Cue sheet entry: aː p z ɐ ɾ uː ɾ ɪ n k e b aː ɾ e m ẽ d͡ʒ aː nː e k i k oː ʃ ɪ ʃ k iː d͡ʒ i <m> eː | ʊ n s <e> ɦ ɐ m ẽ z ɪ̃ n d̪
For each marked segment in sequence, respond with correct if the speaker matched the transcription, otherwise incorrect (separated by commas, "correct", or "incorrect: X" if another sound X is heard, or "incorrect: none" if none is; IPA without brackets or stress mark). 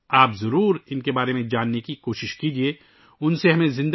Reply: incorrect: none, correct